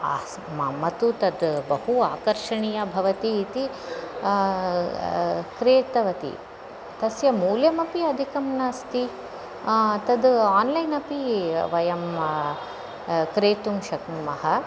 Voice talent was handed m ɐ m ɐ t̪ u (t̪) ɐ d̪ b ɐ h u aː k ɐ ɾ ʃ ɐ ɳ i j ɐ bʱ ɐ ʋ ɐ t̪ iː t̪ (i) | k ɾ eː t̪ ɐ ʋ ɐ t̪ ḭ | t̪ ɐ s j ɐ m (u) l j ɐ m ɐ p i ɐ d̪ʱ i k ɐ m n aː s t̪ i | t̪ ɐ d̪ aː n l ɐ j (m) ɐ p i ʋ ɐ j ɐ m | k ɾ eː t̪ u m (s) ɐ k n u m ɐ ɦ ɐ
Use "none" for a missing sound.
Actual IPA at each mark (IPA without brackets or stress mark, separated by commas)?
t̪, i, uː, n, ʃ